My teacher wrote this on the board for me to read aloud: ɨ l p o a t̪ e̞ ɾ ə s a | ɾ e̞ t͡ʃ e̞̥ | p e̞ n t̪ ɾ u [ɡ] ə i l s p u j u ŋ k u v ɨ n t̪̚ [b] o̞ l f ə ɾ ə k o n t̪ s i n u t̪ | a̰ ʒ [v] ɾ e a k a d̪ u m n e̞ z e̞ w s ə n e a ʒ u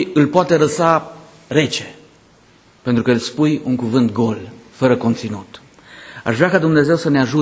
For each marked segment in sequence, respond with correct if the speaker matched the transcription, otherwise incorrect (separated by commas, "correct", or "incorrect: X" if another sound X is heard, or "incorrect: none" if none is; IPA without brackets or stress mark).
incorrect: k, incorrect: ɡ, correct